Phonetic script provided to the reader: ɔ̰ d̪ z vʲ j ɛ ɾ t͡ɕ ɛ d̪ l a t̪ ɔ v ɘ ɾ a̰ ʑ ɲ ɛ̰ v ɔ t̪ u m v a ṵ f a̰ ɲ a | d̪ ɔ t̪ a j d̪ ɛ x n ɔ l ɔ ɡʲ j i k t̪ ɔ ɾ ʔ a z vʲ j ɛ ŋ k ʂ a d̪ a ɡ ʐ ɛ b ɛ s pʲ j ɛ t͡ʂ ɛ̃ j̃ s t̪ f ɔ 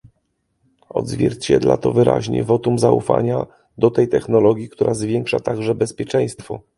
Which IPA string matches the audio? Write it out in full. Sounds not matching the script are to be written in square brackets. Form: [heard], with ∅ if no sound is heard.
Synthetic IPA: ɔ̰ d̪ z vʲ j ɛ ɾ t͡ɕ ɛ d̪ l a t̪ ɔ v ɘ ɾ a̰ ʑ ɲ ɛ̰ v ɔ t̪ u m [z] a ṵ f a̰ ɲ a | d̪ ɔ t̪ [ɛ] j [t̪] ɛ x n ɔ l ɔ ɡʲ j i k t̪ [u] ɾ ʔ a z vʲ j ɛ ŋ k ʂ a [t̪] a ɡ ʐ ɛ b ɛ s pʲ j ɛ t͡ʂ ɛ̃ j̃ s t̪ f ɔ